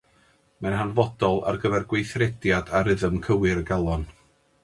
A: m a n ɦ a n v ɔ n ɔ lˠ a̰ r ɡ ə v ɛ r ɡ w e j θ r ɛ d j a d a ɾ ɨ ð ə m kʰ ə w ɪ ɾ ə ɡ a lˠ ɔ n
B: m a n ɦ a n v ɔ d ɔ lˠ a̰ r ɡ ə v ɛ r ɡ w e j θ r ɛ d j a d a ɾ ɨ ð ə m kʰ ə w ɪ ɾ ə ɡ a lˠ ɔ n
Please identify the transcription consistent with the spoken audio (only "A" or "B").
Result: B